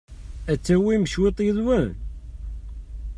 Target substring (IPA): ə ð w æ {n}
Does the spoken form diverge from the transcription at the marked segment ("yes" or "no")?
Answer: no